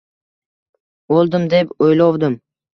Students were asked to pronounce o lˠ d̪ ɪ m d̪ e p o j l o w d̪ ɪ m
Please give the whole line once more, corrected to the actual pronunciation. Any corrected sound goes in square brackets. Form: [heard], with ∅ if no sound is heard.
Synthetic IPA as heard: o lˠ d̪ ɪ m d̪ e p o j l [ɒ] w d̪ ɪ m